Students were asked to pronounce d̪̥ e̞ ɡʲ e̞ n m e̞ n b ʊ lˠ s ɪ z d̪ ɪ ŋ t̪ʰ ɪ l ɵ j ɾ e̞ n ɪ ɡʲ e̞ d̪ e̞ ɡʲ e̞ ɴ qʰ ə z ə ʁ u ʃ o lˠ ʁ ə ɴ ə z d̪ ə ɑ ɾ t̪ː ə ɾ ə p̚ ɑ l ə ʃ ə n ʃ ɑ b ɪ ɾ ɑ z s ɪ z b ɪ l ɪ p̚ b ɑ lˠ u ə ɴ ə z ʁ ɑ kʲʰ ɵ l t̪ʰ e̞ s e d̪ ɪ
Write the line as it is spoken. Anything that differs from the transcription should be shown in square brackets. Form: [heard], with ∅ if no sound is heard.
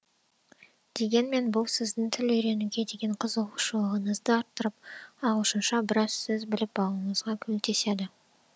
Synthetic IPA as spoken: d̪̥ e̞ ɡʲ e̞ n m e̞ n b ʊ lˠ s ɪ z d̪ ɪ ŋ t̪ʰ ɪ l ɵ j ɾ e̞ n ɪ ɡʲ e̞ d̪ e̞ ɡʲ e̞ ɴ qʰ ə z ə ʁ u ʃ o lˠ ʁ ə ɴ ə z d̪ ə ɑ ɾ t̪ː ə ɾ ə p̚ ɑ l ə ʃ ə n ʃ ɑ b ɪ ɾ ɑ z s ɪ z b ɪ l ɪ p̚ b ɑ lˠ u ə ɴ ə z ʁ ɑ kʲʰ ɵ l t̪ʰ e̞ s e d̪ ɪ